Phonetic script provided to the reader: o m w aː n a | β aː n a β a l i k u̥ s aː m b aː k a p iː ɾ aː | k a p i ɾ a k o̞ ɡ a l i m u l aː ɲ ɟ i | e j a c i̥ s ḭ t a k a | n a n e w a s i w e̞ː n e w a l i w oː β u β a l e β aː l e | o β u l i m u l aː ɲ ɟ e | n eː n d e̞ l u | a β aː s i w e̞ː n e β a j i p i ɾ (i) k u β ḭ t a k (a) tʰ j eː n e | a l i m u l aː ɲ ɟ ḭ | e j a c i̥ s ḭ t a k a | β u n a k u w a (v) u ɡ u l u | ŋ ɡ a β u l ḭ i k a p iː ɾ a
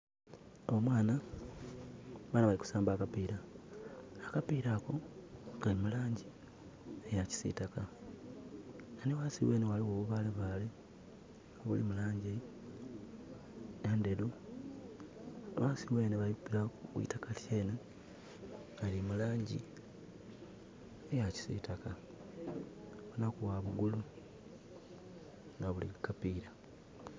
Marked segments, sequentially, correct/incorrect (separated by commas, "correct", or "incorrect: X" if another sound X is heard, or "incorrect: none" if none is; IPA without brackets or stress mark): incorrect: a, correct, incorrect: β